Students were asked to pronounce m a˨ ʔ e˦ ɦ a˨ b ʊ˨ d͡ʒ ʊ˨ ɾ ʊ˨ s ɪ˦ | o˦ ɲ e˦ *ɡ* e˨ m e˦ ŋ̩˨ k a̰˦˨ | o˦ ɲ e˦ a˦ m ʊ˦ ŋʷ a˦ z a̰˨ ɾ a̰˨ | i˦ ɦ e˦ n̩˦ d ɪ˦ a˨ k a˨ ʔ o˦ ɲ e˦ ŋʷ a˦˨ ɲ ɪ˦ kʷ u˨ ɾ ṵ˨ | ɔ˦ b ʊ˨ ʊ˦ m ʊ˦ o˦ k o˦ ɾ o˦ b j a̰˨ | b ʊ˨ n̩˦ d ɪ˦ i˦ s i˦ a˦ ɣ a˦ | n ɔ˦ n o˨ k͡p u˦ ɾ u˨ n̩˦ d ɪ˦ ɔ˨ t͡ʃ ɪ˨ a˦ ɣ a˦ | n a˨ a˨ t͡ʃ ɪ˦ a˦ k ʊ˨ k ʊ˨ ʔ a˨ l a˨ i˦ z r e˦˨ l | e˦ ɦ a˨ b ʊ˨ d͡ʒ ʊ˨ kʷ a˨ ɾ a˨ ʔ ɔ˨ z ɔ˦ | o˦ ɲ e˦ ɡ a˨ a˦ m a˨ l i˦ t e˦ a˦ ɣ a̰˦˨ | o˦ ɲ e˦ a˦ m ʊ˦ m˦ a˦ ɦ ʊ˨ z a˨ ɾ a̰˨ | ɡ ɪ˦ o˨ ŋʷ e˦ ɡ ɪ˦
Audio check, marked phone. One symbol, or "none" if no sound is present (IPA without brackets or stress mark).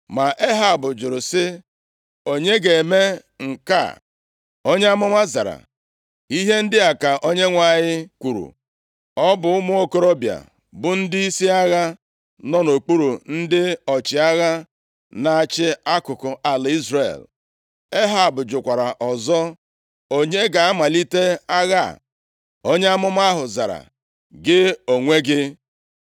ɡ